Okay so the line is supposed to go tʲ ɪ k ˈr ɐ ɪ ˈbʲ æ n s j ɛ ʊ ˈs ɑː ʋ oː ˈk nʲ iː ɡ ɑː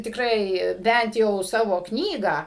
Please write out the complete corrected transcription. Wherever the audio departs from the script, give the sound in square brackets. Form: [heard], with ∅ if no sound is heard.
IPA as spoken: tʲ ɪ k ˈr ɐ ɪ ˈbʲ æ n [t] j ɛ ʊ ˈs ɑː ʋ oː ˈk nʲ iː ɡ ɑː